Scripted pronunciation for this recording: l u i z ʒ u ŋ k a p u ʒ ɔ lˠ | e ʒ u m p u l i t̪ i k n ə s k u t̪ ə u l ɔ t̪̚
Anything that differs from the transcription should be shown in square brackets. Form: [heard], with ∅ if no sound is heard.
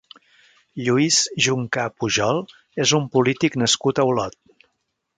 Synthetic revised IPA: [ʎ] u i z ʒ u ŋ k a p u ʒ ɔ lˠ | e [z] u m p u l i t̪ i k n ə s k u t̪ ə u l ɔ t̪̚